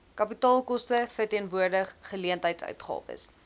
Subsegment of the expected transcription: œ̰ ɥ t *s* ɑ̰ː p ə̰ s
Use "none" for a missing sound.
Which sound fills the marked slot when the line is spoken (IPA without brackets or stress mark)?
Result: χ